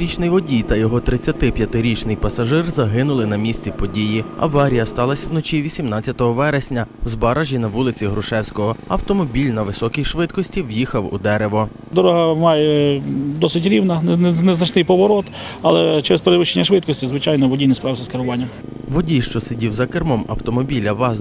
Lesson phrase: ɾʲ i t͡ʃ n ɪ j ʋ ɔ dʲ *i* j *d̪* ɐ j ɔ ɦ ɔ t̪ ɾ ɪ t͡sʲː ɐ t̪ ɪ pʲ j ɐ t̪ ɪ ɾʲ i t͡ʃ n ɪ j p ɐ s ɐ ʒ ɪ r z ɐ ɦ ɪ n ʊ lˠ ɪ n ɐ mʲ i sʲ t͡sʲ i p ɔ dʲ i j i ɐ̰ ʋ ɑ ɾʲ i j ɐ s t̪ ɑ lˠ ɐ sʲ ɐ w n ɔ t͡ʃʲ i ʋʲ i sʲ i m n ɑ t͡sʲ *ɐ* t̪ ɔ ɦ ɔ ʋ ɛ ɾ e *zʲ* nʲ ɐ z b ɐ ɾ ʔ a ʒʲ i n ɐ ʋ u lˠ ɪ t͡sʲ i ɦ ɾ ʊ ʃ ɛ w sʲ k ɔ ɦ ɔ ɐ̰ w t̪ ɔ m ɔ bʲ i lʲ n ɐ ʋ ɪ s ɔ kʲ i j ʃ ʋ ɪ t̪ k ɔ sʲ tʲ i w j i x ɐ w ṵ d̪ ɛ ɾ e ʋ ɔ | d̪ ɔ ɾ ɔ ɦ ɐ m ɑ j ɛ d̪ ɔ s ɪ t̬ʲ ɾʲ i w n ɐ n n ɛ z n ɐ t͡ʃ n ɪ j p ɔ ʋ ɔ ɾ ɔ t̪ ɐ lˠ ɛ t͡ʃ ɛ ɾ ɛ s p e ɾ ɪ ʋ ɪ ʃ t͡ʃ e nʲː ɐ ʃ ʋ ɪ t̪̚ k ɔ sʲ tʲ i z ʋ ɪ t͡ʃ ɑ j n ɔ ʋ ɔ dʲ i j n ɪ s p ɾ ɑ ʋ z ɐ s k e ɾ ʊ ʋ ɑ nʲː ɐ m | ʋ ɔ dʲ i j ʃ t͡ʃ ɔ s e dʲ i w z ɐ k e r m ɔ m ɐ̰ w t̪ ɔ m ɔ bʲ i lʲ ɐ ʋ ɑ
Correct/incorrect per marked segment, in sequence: correct, incorrect: t̪, correct, incorrect: sʲ

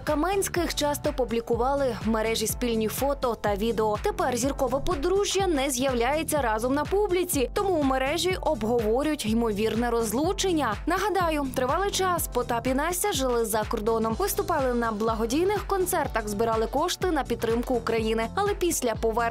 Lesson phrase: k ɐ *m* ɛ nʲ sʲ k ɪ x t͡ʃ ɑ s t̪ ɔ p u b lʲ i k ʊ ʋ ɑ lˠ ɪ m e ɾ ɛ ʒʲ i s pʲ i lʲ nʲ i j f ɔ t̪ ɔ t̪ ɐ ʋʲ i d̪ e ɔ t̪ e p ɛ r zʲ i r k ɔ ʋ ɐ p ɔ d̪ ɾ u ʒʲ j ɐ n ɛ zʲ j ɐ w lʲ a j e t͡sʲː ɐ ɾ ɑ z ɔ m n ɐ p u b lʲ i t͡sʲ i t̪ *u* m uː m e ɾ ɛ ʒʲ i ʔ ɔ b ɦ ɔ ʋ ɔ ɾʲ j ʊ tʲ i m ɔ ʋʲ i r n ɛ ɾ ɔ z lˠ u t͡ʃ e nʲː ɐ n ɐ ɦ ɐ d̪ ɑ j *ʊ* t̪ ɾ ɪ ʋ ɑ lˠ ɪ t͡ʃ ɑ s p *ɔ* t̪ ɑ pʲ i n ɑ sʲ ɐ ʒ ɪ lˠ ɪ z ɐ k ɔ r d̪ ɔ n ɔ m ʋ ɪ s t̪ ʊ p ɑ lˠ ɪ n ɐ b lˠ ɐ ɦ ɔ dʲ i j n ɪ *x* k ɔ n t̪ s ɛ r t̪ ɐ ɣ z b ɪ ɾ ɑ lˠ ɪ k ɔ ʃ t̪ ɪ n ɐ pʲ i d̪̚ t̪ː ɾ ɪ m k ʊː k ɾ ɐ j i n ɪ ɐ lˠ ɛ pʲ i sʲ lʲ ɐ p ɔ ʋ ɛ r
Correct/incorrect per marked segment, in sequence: correct, incorrect: ɔ, correct, correct, correct

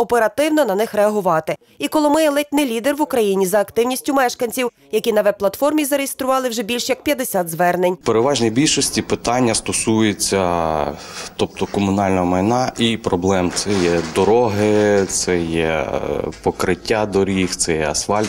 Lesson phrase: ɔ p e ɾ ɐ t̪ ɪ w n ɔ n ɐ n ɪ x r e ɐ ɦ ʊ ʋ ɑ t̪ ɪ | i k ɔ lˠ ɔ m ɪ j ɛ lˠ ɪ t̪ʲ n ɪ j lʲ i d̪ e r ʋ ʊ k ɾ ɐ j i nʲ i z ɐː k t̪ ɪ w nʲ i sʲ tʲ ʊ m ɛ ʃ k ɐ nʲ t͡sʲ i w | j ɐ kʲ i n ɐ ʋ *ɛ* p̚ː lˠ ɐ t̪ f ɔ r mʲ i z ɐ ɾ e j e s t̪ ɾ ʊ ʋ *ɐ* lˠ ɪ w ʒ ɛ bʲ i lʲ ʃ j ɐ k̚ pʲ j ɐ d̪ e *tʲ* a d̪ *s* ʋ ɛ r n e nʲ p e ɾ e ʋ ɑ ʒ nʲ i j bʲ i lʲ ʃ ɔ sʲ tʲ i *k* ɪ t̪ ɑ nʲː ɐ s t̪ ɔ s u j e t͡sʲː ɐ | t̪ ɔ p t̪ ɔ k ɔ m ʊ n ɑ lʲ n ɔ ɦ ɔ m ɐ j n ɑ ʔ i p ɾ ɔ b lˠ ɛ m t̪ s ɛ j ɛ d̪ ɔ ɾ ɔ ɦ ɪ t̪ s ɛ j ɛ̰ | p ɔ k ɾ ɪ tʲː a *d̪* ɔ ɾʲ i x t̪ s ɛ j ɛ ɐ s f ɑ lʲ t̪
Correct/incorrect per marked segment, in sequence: correct, incorrect: ɑ, incorrect: sʲ, incorrect: z, incorrect: p, correct

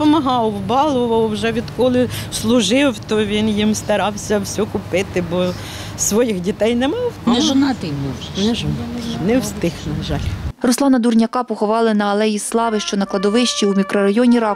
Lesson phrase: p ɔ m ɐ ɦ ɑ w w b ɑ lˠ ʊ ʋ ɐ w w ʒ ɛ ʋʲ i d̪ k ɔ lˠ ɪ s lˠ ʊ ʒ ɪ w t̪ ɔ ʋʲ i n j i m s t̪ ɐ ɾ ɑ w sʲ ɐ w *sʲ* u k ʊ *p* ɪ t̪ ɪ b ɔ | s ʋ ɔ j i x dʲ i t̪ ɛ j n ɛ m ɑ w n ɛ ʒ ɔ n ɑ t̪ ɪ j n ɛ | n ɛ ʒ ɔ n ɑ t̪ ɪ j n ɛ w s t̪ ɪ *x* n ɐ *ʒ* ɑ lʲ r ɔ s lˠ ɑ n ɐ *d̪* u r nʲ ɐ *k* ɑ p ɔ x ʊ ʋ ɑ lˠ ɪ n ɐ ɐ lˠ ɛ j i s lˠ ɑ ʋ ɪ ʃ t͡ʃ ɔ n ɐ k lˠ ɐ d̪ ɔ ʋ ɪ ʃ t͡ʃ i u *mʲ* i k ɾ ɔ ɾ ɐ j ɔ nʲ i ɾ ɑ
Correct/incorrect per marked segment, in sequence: correct, correct, correct, correct, correct, correct, correct

